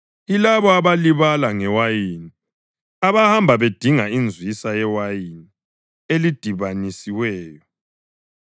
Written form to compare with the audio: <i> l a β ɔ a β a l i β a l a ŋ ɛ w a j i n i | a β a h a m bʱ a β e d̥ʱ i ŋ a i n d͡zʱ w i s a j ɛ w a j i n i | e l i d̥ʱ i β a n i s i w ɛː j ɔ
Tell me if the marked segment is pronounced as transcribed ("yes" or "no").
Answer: yes